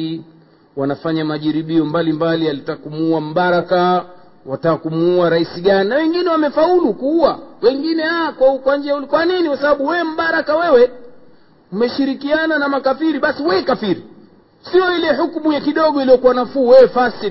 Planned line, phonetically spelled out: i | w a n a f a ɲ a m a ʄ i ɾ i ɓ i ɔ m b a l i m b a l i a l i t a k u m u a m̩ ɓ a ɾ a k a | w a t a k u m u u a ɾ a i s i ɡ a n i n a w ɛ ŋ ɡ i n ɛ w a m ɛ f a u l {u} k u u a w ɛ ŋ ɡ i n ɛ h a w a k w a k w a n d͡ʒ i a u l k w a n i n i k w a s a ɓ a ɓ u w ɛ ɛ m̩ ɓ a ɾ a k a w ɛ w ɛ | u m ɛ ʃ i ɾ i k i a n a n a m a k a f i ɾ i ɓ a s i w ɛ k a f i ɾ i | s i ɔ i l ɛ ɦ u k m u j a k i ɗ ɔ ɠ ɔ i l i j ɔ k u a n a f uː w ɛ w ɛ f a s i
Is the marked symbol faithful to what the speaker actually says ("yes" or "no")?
yes